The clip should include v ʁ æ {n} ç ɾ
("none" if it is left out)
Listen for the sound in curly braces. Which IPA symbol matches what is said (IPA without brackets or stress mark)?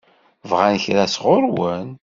n